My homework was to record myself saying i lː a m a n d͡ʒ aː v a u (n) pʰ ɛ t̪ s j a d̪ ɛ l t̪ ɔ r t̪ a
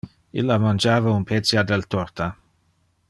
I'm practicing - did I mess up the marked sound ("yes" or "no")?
no